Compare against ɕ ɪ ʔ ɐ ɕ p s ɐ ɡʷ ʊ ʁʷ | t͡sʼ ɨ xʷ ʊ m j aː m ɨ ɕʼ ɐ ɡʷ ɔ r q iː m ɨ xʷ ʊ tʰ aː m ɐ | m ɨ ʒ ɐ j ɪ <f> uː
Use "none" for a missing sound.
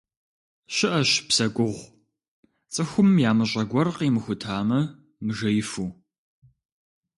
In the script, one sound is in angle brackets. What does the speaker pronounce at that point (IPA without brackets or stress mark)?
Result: f